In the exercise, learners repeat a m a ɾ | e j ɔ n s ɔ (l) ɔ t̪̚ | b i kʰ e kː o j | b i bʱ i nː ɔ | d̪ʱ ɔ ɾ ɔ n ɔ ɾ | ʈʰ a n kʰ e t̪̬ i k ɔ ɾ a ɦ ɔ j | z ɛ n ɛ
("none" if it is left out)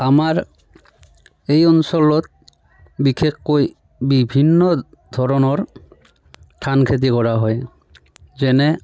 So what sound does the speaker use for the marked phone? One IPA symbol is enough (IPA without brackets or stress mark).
l